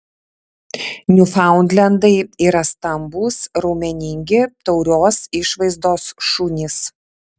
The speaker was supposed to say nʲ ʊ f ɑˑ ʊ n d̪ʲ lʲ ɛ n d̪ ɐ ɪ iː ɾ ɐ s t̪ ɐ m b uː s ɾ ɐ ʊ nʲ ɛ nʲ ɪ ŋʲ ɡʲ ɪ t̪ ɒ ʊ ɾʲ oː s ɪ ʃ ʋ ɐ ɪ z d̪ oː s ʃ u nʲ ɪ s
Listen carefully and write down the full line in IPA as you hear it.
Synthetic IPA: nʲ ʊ f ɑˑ ʊ n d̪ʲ lʲ ɛ n d̪ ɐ ɪ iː ɾ ɐ s t̪ ɐ m b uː s ɾ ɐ ʊ mʲ ɛ nʲ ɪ ŋʲ ɡʲ ɪ t̪ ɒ ʊ ɾʲ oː s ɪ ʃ ʋ ɐ ɪ z d̪ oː s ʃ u nʲ ɪ s